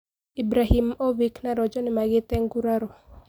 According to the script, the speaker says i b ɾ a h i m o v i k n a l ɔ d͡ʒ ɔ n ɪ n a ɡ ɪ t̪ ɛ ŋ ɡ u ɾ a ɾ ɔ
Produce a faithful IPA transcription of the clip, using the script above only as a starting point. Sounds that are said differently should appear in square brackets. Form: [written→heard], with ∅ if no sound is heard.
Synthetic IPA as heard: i b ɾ a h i m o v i k n a [l→ɾ] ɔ d͡ʒ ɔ n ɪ [n→m] a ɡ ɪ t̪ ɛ ŋ ɡ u ɾ a ɾ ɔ

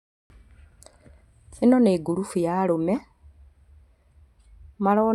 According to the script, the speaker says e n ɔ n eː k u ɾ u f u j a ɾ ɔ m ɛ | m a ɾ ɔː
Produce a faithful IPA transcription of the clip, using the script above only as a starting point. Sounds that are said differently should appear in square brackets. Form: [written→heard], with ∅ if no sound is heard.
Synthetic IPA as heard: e n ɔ n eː [k→ɡ] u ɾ u f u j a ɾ [ɔ→o] m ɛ | m a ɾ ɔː

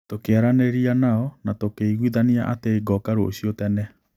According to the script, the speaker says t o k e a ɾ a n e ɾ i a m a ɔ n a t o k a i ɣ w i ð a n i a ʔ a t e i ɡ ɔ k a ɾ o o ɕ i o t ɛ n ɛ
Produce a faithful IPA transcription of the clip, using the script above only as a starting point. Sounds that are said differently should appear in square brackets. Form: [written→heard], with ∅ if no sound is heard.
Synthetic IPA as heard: t o k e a ɾ a n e ɾ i a [m→n] a ɔ n a t o k [a→e] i ɣ w i ð a n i a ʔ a t e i ɡ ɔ k a ɾ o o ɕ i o t ɛ n ɛ

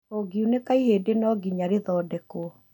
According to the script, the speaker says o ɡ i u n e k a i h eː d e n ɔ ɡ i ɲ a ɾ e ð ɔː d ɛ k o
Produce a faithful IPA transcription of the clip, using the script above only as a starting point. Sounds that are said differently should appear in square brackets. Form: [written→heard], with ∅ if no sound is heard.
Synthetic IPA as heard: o ɡ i u n e k a i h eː d e n ɔ ɡ i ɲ a ɾ e ð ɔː d ɛ k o

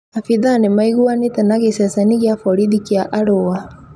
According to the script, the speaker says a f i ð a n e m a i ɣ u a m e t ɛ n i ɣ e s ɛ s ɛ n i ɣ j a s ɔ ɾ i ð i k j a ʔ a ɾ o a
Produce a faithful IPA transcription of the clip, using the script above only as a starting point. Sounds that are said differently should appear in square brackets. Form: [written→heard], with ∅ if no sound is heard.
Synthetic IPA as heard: a f i ð a n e m a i ɣ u a [m→n] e t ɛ n [i→a] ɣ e s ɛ s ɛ n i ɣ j a [s→f] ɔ ɾ i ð i k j a ʔ a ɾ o a

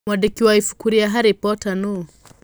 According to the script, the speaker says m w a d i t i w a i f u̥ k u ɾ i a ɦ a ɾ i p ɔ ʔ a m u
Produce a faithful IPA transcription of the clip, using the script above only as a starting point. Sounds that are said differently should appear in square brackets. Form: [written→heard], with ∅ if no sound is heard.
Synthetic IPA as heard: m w a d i [t→k] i w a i f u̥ k u ɾ i a ɦ a ɾ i p ɔ [ʔ→t] a [m→n] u

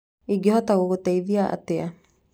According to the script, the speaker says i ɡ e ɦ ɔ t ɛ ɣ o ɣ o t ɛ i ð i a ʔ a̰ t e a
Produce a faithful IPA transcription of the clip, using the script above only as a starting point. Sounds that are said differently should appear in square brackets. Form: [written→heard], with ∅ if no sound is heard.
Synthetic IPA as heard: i ɡ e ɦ ɔ t [ɛ→a] ɣ o ɣ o t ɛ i ð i a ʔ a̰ t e a

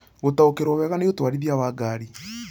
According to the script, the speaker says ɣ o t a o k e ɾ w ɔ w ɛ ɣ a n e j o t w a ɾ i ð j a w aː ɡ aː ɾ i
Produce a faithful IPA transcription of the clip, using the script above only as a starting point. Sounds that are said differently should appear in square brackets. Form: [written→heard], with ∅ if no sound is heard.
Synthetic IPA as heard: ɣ o t a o k e ɾ w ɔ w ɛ ɣ a n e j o t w a ɾ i ð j a w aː ɡ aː ɾ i

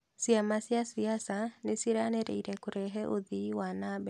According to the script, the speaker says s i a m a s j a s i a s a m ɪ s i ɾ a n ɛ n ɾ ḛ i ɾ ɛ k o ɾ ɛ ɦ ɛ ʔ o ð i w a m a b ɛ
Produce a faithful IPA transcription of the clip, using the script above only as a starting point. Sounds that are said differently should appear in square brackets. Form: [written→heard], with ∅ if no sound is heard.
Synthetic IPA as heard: s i a m a s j a s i a s a [m→n] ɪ s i ɾ a n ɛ [n→∅] ɾ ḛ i ɾ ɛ k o ɾ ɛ ɦ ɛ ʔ o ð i w a [m→n] a b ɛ

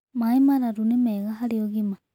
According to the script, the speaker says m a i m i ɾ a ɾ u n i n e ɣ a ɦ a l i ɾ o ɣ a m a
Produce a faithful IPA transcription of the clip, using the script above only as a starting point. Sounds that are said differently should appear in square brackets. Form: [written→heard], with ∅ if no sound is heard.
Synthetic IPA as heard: m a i m [i→a] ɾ a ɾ u n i [n→m] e ɣ a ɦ a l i [ɾ→∅] o ɣ [a→i] m a

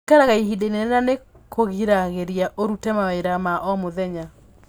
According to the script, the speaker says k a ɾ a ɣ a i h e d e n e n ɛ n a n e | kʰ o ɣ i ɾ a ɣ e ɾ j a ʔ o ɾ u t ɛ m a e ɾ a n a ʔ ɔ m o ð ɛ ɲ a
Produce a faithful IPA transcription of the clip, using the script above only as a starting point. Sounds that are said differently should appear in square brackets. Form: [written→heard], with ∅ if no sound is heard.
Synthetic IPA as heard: k a ɾ a ɣ a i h [e→i] d e n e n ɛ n a n e | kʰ o ɣ i ɾ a ɣ e ɾ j a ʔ o ɾ u t ɛ m a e ɾ a [n→m] a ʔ ɔ m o ð ɛ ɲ a

